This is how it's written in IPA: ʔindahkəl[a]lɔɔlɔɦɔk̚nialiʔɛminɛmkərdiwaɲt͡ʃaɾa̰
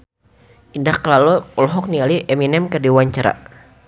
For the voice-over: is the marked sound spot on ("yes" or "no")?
yes